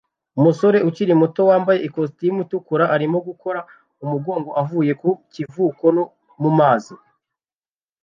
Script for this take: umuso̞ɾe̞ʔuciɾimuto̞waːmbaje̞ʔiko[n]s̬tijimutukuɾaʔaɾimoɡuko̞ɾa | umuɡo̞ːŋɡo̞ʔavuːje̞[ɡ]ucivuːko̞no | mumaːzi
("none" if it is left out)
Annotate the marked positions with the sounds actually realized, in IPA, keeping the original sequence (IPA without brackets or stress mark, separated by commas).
none, k